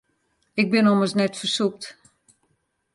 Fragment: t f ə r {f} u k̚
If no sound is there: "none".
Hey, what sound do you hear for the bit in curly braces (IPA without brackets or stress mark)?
s